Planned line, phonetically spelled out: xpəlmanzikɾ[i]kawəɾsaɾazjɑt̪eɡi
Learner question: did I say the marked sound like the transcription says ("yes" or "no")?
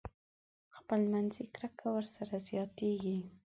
no